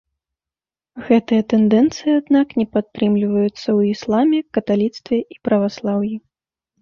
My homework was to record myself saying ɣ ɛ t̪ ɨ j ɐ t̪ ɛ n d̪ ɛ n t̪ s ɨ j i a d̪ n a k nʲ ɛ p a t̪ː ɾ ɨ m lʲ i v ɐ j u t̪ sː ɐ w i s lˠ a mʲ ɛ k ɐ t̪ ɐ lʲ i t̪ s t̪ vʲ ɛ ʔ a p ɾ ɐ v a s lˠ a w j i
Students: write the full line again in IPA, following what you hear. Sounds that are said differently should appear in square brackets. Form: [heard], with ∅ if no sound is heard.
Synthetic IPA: ɣ ɛ t̪ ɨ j ɐ t̪ ɛ n d̪ ɛ n t̪ s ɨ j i a d̪ n a k nʲ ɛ p a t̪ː ɾ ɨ m lʲ i v ɐ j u t̪ sː ɐ w i s lˠ a mʲ ɛ k ɐ t̪ [a] lʲ i t̪ s t̪ vʲ ɛ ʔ [i] p ɾ ɐ v a s lˠ a w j i